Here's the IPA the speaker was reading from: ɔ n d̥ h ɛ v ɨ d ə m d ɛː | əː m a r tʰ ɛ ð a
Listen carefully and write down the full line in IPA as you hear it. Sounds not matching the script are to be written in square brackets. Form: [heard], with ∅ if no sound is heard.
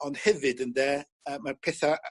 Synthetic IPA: ɔ n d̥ h ɛ v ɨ d ə [n] d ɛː | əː m a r [pʰ] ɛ [θ] a